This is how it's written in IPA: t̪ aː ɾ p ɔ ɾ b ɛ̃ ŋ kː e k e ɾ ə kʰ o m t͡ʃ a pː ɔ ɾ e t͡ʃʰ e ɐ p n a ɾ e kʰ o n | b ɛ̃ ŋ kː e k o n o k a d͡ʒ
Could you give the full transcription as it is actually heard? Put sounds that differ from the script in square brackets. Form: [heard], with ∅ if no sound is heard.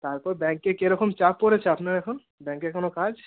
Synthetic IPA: t̪ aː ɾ p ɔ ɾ b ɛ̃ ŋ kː e k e ɾ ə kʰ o m t͡ʃ a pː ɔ ɾ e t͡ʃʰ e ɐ p n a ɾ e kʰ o n | b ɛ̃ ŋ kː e k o n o k a d͡ʒ